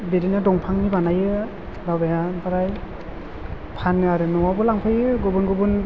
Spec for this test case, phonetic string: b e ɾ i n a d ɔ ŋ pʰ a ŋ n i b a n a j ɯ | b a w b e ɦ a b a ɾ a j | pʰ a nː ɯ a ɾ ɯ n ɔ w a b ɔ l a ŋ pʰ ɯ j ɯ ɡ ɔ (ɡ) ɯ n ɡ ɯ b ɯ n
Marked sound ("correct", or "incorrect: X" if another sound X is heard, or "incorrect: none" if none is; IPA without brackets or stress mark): incorrect: b